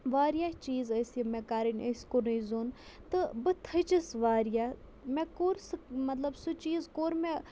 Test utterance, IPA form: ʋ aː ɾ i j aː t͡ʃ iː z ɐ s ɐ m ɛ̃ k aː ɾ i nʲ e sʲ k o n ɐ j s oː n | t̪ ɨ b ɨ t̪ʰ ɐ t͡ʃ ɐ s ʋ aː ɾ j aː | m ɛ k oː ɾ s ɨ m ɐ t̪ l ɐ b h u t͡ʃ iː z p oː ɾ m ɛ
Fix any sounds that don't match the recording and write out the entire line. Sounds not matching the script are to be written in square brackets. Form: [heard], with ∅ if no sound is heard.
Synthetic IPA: ʋ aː ɾ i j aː t͡ʃ iː z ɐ s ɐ m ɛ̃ k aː ɾ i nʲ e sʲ k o n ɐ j [z] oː n | t̪ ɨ b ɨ t̪ʰ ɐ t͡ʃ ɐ s ʋ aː ɾ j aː | m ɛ k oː ɾ s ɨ m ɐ t̪ l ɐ b [s] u t͡ʃ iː z [k] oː ɾ m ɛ